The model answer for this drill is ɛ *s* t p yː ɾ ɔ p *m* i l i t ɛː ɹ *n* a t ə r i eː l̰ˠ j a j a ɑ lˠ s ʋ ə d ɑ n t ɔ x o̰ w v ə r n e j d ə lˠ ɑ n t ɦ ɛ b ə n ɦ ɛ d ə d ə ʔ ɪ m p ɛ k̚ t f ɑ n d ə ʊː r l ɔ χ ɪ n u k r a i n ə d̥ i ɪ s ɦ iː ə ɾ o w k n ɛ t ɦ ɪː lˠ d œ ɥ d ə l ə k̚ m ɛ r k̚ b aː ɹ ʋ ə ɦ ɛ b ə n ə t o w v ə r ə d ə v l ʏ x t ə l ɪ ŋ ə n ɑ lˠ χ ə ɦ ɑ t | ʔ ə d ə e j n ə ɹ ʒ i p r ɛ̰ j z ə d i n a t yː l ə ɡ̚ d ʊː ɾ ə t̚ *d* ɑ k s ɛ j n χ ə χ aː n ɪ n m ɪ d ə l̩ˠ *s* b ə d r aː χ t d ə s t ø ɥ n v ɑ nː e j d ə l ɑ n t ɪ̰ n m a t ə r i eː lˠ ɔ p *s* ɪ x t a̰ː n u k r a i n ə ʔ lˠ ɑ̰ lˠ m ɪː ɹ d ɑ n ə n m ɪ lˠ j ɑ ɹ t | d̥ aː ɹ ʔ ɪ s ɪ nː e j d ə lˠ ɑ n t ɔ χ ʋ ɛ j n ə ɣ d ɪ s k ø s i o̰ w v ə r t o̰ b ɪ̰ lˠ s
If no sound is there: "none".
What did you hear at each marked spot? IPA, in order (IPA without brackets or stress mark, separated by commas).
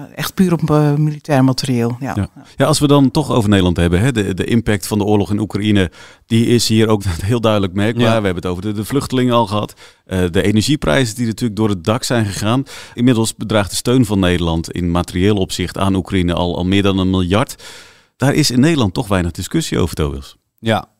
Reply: x, m, m, d, s, s